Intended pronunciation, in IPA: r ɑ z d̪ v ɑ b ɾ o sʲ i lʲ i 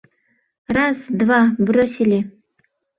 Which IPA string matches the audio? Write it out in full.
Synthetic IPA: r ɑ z d̪ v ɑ b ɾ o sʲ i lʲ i